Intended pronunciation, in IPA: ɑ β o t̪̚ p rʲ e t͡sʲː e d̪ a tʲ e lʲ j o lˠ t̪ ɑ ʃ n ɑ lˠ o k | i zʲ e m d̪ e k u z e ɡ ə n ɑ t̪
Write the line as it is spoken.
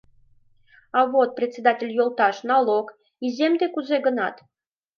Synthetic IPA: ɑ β o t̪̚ p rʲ e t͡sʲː e d̪ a tʲ e lʲ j o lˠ t̪ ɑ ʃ n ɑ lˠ o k | i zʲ e m d̪ e k u z e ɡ ə n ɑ t̪